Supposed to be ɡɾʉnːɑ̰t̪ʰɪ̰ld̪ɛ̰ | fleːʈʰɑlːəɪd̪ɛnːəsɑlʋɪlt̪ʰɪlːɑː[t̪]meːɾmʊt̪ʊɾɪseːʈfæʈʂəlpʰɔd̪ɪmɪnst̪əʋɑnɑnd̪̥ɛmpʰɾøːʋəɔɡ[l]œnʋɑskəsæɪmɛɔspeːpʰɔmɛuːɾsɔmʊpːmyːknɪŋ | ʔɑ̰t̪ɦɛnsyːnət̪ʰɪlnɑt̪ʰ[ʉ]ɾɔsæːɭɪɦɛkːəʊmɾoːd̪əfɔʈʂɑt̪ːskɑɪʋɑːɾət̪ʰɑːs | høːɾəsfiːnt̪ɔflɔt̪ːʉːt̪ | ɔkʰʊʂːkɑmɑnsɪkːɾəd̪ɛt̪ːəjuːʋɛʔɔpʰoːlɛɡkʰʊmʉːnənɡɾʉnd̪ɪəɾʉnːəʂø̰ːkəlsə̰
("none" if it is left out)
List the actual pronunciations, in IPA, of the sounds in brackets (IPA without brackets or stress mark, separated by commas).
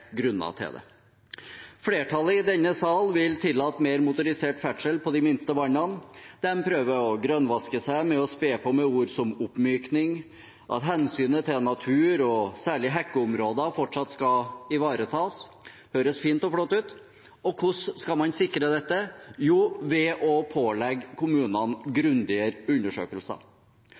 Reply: t̪, ɾ, ʉː